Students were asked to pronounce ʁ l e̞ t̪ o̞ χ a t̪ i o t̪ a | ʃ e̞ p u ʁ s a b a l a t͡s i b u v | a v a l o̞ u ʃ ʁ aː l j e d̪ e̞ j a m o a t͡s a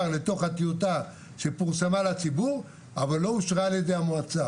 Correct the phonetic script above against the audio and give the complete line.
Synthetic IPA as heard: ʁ l e̞ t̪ o̞ χ a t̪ i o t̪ a | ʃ e̞ p u ʁ s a m a l a t͡s i b u ʁ | a v a lː o̞ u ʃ ʁ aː l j e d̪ e̞ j a m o a t͡s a